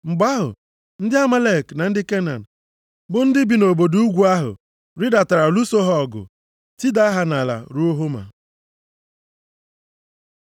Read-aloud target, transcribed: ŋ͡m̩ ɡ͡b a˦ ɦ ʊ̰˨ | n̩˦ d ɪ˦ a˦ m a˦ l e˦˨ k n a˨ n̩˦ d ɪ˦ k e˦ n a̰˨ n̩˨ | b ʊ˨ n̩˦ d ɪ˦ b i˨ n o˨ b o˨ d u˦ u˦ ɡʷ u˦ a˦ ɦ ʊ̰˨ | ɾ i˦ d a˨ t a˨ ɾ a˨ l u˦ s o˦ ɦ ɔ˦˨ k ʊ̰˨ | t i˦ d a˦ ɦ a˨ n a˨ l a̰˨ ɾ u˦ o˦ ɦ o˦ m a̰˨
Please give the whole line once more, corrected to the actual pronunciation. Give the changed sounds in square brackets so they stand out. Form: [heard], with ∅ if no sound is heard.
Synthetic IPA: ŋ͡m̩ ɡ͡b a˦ ɦ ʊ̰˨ | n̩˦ d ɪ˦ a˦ m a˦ l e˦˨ k n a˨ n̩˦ d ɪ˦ k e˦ n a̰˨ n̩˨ | b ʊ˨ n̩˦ d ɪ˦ b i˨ n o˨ b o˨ d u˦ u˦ ɡʷ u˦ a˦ ɦ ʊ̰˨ | ɾ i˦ d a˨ t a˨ ɾ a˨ l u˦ s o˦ ɦ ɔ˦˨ [ɡ] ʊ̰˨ | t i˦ d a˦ ɦ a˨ n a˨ l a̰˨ ɾ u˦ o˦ ɦ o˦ m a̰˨